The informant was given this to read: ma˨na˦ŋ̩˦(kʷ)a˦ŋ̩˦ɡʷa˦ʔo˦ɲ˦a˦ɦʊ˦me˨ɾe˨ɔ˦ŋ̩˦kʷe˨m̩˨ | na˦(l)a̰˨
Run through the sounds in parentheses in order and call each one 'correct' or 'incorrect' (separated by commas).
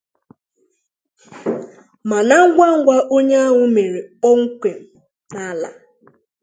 incorrect, correct